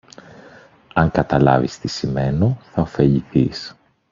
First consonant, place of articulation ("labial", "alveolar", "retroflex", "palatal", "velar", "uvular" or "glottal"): velar